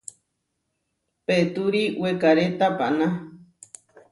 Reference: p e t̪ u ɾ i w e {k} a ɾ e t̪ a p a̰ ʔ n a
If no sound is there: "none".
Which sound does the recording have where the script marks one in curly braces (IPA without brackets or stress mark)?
k